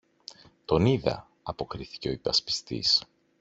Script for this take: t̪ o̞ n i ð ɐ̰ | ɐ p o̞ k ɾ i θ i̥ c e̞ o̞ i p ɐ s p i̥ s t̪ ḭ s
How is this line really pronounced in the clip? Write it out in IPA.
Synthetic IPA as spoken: t̪ o̞ n i ð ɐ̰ | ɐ p o̞ k ɾ i θ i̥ c e̞ o̞ i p ɐ s p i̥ s t̪ ḭ s